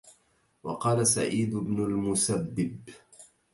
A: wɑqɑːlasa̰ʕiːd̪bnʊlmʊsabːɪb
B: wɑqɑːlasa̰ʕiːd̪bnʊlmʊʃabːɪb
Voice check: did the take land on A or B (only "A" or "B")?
A